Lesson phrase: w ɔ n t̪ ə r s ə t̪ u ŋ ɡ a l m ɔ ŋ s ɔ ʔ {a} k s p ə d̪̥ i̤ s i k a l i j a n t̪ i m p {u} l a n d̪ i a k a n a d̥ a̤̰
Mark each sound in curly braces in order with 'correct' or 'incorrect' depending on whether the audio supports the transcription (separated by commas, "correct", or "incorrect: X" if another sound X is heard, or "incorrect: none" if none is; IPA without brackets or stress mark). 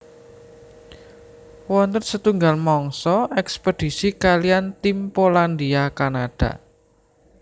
incorrect: ɛ, incorrect: o